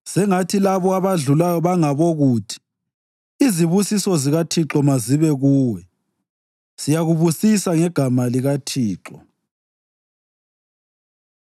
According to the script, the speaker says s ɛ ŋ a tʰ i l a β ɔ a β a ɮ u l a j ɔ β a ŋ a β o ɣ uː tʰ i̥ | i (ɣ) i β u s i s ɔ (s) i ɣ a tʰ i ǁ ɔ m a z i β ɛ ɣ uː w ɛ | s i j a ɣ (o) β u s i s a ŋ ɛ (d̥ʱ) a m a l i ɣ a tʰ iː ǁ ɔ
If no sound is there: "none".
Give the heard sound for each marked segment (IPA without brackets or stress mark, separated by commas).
z, z, u, ɡ̥ʱ